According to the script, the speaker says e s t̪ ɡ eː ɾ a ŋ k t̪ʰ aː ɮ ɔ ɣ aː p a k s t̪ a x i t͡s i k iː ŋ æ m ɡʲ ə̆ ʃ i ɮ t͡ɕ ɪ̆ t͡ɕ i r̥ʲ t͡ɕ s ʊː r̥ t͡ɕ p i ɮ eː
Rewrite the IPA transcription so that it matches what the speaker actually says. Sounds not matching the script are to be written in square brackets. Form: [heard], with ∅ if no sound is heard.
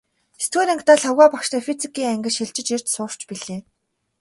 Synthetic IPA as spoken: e s t̪ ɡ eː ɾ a ŋ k [t̪] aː ɮ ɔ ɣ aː p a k [ʃ] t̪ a [f] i t͡s i k iː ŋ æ [ŋ] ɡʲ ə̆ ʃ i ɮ t͡ɕ ɪ̆ t͡ɕ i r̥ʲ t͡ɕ s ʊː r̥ t͡ɕ p i ɮ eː